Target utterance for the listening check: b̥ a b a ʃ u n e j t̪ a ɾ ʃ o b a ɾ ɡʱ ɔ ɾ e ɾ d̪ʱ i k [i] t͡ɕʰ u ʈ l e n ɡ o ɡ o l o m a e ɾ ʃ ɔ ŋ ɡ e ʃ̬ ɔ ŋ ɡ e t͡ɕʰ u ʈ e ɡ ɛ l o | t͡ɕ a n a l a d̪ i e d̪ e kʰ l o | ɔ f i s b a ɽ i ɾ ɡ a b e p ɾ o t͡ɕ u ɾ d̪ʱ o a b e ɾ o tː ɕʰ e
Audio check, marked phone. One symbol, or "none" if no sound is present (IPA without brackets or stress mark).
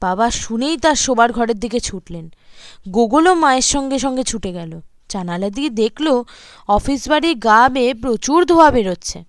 e